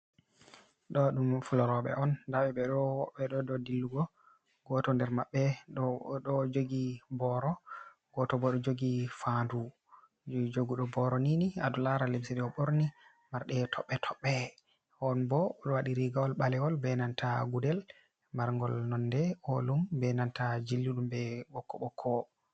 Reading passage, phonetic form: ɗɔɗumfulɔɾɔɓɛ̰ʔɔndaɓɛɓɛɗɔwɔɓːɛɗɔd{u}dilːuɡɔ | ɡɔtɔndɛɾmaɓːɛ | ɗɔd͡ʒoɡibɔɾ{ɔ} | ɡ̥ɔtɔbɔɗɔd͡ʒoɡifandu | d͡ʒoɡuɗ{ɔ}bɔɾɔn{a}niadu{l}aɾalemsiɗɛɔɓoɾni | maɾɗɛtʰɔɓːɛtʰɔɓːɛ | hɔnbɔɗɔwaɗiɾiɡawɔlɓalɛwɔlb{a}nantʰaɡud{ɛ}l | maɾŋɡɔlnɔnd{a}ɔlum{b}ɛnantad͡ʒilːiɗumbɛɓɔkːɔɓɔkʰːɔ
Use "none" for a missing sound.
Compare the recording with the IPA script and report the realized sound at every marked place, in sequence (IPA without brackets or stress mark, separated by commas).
ɔ, ɔ, ɔ, i, l, ɛ, ɛ, ɛ, b